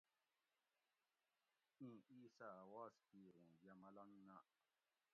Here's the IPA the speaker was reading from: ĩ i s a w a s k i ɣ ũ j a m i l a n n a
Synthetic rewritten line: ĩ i s a w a s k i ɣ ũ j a m a l a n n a